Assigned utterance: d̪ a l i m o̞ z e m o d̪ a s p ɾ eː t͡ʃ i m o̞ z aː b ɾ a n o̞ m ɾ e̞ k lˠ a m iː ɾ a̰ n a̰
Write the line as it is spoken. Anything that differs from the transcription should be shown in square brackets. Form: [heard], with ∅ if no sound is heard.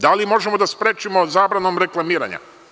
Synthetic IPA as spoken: d̪ a l i m o̞ [ʒ] e m o d̪ a s p ɾ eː t͡ʃ i m o̞ z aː b ɾ a n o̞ m ɾ e̞ k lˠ a m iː ɾ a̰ [ɲ] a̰